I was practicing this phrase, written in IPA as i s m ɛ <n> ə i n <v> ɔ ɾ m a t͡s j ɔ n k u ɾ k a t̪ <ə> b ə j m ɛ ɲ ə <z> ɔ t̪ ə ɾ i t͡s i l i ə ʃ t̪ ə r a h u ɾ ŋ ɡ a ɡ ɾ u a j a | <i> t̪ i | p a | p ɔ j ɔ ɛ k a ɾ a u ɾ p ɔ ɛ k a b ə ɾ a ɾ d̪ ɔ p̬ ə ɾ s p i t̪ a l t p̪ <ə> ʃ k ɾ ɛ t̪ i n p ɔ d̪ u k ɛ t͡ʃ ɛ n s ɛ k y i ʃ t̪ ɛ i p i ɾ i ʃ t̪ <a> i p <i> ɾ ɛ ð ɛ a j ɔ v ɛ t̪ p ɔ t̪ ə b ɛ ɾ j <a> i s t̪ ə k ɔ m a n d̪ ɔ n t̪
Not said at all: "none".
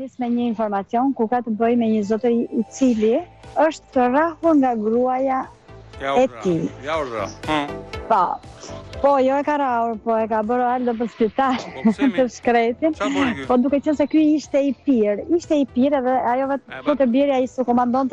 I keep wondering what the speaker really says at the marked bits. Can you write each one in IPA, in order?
ɲ, f, ə, z, ɛ, ə, ɛ, i, a

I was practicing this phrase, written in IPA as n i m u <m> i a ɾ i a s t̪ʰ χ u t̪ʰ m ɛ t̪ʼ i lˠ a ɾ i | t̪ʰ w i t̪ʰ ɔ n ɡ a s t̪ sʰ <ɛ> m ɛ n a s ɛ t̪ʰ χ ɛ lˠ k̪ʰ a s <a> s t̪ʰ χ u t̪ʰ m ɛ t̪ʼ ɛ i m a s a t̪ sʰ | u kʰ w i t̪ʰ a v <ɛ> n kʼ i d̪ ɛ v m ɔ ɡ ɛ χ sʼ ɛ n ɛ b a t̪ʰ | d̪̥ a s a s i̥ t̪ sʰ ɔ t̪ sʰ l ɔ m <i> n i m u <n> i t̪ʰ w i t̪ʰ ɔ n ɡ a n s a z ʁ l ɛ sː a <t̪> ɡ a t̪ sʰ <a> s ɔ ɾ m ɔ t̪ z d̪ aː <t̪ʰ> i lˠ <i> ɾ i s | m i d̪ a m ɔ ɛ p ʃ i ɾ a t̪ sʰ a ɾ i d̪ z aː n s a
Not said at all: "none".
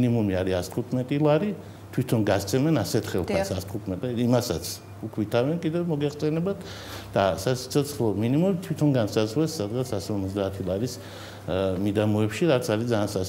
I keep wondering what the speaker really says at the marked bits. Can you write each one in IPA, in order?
m, ɛ, a, ɛ, i, m, d̪, a, t̪ʰ, a

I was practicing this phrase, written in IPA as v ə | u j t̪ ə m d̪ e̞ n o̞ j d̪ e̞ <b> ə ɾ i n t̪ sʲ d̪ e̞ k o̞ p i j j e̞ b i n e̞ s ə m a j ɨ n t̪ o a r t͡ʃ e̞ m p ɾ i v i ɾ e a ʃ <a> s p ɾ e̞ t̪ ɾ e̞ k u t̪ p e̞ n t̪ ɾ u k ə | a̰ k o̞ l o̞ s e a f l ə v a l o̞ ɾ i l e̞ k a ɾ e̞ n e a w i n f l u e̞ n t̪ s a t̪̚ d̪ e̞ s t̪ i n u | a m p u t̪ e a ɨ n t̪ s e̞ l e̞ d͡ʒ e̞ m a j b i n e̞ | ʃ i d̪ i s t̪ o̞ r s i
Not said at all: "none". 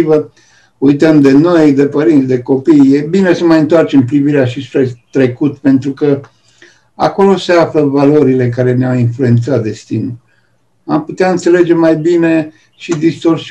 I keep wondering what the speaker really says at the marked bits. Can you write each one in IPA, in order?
p, i

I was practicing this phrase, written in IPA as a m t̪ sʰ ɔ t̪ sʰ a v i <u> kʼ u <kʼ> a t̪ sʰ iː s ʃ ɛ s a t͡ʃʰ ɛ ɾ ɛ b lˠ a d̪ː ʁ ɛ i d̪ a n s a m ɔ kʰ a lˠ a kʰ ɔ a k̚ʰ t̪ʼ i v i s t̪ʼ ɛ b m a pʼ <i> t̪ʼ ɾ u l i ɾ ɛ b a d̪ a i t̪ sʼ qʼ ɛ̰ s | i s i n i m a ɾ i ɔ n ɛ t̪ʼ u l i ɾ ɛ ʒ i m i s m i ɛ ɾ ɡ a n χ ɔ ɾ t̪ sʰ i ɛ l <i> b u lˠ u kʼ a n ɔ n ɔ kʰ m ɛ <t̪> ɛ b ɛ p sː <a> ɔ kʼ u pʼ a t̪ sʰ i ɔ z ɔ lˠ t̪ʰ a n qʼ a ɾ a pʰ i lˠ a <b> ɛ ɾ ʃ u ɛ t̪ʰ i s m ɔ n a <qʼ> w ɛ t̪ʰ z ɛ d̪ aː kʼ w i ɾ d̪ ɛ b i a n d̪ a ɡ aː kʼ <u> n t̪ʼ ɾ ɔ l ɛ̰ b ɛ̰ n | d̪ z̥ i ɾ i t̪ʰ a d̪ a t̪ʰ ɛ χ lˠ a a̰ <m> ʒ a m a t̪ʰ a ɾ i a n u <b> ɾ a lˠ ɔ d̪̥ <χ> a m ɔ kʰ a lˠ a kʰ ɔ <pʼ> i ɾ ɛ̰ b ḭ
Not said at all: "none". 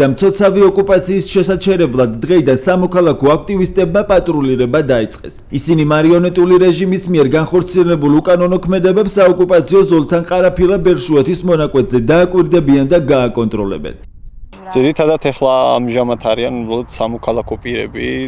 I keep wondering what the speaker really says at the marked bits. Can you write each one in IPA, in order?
ɔ, pʼ, a, ɛ, d̪, a, b, kʼ, ɔ, m, b, s, pʼ

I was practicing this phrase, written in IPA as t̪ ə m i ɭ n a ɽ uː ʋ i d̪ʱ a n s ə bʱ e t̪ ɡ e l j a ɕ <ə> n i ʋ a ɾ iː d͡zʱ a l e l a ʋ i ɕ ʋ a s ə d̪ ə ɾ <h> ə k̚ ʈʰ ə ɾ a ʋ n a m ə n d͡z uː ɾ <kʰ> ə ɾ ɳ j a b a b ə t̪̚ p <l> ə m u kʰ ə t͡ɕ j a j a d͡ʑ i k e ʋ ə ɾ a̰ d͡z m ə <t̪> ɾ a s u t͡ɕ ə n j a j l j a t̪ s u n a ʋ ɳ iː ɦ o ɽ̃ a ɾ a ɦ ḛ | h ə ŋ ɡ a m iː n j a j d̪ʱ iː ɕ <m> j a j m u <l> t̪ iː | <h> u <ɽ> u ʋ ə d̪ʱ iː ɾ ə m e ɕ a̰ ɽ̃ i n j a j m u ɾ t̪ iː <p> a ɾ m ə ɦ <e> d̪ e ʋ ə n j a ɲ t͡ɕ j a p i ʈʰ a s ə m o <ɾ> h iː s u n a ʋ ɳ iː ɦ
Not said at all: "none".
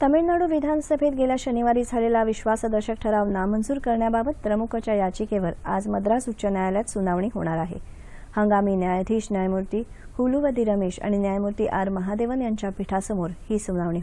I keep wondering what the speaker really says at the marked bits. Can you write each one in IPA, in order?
ə, ɕ, k, ɾ, d̪, n, ɾ, h, l, ʔ, a, ɾ

